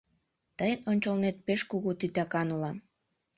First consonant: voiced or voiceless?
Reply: voiceless